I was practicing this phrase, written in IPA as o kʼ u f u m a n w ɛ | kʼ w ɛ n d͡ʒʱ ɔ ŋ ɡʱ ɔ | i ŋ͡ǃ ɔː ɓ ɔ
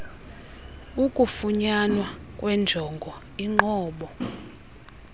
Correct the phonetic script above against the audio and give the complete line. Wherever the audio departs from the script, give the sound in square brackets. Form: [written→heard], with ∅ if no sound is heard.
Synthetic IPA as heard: [o→u] kʼ u f u [m→ɲ] a n w [ɛ→a] | kʼ w ɛ n d͡ʒʱ ɔ ŋ ɡʱ ɔ | i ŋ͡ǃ ɔː ɓ ɔ